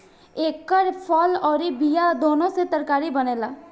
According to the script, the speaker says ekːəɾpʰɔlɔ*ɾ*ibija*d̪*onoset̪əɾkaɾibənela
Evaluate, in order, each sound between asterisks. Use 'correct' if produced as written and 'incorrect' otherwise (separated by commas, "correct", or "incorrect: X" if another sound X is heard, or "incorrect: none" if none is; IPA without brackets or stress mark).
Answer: correct, correct